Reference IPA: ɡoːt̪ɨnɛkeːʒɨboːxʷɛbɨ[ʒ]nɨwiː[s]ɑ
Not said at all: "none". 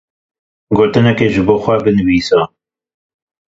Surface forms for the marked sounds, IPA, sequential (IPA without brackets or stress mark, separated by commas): none, s